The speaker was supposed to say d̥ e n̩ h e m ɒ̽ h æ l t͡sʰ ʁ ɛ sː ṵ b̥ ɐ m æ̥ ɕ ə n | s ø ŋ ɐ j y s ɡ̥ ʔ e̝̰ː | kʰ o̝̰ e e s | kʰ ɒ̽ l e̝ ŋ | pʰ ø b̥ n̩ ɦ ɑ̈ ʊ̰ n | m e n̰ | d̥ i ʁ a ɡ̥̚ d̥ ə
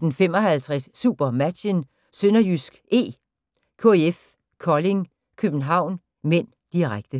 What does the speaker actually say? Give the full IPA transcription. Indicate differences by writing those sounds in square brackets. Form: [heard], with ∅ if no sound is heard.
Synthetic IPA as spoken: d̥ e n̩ [f] e m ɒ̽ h æ l t͡sʰ ʁ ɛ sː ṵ b̥ ɐ m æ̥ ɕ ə n | s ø [n] ɐ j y s ɡ̥ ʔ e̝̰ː | kʰ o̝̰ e e [f] | kʰ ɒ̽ l e̝ ŋ | [kʰ] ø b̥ n̩ ɦ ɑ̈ ʊ̰ n | m e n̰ | d̥ i ʁ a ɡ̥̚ d̥ ə